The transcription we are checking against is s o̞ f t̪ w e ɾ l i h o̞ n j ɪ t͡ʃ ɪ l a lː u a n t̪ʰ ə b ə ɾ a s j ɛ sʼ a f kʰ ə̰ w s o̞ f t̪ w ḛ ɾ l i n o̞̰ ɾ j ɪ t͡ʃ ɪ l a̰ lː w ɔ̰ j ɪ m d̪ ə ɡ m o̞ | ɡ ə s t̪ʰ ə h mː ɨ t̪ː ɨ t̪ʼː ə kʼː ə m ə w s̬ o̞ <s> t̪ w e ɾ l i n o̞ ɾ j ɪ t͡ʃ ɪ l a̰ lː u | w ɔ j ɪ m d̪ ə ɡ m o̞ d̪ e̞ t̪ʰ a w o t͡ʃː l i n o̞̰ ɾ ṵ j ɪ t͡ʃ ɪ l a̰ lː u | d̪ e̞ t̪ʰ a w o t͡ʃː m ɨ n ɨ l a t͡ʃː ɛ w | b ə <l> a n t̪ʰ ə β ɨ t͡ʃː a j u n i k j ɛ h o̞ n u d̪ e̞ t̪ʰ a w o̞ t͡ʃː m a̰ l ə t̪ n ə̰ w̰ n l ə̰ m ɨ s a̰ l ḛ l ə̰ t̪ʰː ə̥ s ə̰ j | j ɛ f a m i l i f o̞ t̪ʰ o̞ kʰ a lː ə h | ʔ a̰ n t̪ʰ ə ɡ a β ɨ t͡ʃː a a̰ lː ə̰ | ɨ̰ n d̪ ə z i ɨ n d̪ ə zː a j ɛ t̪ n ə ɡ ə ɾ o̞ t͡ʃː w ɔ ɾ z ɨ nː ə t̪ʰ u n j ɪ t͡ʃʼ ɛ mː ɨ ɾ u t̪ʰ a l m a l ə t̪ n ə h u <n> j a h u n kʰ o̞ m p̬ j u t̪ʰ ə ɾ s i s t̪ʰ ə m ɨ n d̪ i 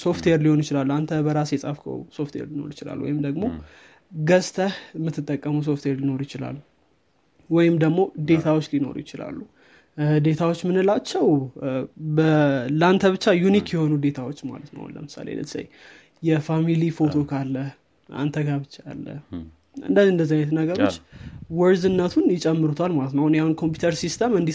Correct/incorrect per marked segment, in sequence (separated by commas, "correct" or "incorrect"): incorrect, correct, correct